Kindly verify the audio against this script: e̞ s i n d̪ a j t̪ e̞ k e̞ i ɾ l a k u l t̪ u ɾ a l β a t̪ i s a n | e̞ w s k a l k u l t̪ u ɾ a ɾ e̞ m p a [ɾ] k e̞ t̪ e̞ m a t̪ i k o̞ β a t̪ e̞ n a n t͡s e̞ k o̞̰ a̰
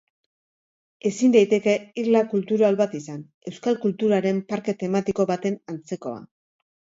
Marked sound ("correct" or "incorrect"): correct